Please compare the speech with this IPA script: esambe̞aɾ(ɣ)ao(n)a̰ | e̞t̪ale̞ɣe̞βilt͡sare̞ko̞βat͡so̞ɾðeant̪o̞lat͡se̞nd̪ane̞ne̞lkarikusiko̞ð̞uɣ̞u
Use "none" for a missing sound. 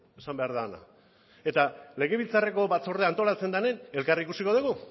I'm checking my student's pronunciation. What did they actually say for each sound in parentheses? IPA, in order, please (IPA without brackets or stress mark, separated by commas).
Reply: ð, n